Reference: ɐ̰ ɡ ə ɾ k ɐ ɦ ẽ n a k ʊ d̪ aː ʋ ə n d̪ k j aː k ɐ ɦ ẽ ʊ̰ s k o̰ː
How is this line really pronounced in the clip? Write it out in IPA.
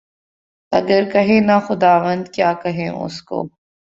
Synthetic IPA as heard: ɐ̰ ɡ ə ɾ k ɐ ɦ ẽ n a x ʊ d̪ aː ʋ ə n d̪ k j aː k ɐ ɦ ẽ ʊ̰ s k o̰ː